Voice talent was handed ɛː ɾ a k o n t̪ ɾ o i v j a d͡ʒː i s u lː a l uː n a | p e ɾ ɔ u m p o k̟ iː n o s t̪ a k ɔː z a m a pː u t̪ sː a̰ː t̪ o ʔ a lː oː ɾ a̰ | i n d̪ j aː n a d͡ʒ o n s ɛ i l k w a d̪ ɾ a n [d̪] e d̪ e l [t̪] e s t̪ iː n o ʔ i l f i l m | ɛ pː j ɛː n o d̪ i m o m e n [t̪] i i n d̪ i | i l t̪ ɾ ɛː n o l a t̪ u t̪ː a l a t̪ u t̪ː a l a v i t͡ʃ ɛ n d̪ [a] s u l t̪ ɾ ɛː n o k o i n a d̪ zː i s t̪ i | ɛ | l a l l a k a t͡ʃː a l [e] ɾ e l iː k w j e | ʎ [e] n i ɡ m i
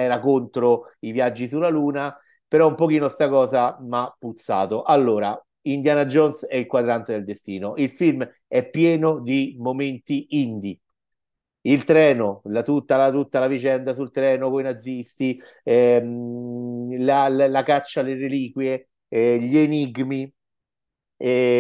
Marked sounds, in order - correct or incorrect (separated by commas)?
incorrect, incorrect, correct, correct, correct, correct